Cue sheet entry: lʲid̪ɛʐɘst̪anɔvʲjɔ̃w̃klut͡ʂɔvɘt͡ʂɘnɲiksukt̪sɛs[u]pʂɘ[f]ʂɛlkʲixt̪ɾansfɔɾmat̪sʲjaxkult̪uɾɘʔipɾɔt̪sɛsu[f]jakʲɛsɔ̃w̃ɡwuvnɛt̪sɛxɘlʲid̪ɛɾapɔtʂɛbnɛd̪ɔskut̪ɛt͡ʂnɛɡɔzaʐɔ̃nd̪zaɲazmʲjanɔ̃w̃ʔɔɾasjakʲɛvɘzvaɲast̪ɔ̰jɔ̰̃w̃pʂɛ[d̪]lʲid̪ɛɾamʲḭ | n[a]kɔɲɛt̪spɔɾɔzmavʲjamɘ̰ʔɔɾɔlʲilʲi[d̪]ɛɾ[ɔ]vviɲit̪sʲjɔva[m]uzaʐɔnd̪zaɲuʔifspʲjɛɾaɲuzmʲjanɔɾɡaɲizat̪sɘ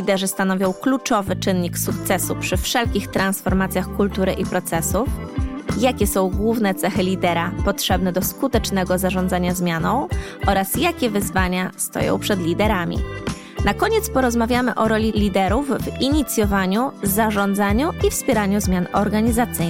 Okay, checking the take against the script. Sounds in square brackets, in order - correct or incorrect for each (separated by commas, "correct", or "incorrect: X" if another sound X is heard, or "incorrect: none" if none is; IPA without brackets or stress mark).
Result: correct, correct, correct, correct, correct, correct, incorrect: u, incorrect: ɲ